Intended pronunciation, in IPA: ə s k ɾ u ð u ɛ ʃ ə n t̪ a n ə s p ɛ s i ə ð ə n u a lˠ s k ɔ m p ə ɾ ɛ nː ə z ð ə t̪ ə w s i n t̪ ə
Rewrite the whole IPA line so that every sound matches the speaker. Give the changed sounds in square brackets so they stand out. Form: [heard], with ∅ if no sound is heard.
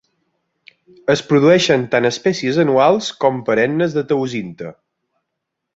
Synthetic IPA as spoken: ə s [p] ɾ u ð u ɛ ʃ ə n t̪ a n ə s p ɛ s i ə [z] ə n u a lˠ s k ɔ m p ə ɾ ɛ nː ə z ð ə t̪ ə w [z] i n t̪ ə